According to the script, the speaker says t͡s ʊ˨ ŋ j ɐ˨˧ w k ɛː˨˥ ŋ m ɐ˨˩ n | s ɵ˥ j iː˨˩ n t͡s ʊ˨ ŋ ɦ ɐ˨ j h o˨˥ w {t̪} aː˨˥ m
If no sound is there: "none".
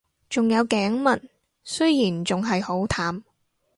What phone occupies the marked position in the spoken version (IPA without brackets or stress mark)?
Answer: t̪ʰ